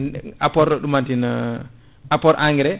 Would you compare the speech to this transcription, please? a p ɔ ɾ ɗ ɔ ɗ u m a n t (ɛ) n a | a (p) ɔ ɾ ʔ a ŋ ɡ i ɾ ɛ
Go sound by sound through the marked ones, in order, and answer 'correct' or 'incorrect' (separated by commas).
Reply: incorrect, correct